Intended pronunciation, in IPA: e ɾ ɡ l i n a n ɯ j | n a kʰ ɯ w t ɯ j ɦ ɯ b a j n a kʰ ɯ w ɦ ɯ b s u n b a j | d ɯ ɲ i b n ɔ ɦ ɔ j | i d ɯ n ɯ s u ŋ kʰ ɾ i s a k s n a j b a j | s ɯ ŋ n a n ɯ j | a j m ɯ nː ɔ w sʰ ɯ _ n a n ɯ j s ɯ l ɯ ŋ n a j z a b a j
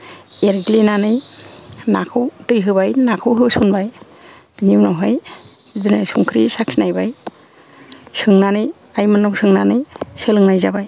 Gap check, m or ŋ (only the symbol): ŋ